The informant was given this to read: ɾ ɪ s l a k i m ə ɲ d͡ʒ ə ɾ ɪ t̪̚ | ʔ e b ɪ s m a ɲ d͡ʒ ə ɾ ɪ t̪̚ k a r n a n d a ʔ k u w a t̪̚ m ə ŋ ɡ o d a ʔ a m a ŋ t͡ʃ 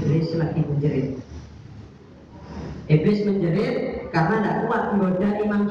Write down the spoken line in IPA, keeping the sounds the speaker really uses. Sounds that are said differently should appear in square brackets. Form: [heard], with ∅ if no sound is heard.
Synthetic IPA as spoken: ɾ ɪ s l a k i m ə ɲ d͡ʒ ə ɾ ɪ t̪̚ | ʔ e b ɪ s m [ə] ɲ d͡ʒ ə ɾ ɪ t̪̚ k a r n a n d a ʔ k u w a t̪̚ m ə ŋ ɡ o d a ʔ [i] m a ŋ t͡ʃ